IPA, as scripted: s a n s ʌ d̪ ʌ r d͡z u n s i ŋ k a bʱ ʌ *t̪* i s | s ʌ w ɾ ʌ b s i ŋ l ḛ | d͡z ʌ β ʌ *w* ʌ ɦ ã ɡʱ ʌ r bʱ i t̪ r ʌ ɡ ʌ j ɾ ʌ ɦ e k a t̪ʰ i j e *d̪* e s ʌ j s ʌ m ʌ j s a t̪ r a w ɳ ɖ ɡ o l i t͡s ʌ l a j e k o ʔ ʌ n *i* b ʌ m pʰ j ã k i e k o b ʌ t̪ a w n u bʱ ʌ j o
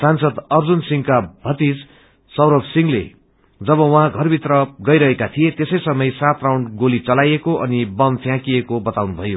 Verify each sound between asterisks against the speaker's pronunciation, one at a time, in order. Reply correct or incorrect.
correct, correct, incorrect, correct

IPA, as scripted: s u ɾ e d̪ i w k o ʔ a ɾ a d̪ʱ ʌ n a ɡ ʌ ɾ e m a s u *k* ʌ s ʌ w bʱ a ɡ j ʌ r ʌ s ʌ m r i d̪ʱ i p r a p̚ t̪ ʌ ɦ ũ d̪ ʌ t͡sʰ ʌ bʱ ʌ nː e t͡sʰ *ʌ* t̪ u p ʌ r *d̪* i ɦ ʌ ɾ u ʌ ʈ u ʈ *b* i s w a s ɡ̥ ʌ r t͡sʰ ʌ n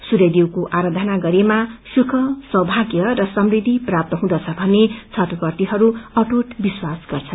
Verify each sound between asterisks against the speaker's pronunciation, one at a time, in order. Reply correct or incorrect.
incorrect, correct, incorrect, correct

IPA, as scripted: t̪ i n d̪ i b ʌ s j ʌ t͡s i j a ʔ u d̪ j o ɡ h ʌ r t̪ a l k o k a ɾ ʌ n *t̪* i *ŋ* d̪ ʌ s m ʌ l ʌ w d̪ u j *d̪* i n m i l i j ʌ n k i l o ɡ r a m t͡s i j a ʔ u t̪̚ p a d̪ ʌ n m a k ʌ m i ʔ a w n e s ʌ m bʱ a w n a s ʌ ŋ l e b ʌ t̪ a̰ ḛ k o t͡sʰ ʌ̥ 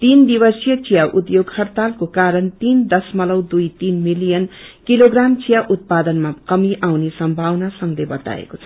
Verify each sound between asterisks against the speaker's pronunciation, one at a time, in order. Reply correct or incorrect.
correct, incorrect, incorrect

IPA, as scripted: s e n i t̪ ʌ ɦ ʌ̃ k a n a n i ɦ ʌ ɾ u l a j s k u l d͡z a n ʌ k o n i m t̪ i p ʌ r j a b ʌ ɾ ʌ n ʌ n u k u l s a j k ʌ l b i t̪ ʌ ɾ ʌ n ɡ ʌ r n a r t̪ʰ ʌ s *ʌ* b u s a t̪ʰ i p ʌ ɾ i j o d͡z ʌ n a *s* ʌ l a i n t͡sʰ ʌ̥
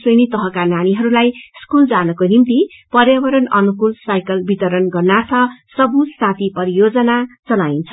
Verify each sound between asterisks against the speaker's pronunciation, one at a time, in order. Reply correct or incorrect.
correct, incorrect

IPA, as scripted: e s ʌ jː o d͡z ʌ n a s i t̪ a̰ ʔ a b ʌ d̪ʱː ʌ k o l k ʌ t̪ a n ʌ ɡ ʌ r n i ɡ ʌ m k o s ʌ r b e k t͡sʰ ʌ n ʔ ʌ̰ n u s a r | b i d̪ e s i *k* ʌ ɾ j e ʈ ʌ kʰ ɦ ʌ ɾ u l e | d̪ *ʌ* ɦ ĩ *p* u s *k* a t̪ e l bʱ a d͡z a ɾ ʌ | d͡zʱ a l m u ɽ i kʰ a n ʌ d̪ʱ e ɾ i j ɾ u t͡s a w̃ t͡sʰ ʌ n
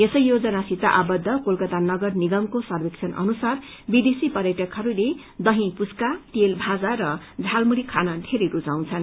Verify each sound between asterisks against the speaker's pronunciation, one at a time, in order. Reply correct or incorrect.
incorrect, correct, correct, correct

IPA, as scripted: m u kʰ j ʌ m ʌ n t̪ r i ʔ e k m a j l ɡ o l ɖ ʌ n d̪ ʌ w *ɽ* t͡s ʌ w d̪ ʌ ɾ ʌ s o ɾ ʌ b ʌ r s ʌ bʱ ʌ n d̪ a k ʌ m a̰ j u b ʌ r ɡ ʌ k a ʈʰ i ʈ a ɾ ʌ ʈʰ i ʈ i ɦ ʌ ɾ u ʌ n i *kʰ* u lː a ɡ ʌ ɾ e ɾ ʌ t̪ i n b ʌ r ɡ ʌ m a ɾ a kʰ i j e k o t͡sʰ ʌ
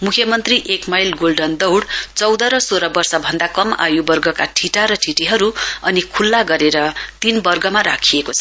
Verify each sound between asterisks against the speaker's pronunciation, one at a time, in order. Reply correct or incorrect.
correct, correct

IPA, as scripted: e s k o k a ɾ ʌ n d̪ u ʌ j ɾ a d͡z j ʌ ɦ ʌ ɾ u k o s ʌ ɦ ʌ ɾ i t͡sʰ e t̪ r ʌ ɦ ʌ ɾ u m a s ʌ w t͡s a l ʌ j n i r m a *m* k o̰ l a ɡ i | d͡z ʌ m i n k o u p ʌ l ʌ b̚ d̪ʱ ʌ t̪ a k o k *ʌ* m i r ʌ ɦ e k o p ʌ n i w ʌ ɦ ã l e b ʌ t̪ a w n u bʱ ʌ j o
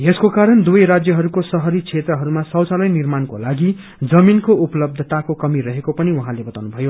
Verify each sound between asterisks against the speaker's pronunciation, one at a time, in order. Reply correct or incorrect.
incorrect, correct

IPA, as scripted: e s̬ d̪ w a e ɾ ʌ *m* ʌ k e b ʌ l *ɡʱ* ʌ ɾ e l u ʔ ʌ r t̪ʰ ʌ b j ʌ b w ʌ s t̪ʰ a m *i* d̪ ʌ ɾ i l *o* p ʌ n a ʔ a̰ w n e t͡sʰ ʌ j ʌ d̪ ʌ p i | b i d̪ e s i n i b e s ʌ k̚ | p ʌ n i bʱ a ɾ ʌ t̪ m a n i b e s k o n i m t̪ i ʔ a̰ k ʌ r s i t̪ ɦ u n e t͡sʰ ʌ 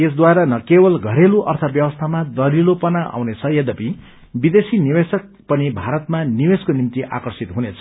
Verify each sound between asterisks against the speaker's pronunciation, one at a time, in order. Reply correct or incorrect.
incorrect, correct, incorrect, correct

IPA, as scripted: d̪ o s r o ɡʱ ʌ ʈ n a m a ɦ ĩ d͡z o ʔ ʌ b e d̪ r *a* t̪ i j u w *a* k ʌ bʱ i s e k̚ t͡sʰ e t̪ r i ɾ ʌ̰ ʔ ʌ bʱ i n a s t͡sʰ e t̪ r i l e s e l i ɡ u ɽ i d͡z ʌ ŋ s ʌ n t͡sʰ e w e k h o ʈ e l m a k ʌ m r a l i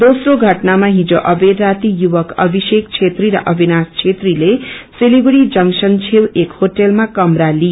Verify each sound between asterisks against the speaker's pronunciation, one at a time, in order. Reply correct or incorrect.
correct, incorrect

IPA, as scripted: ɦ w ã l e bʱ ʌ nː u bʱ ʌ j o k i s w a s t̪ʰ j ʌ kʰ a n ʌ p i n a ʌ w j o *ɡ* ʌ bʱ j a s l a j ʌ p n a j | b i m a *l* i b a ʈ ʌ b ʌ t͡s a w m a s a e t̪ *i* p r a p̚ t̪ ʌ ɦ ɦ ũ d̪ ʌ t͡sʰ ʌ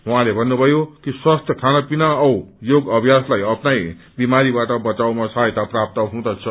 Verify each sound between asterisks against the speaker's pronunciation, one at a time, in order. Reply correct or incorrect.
correct, incorrect, incorrect

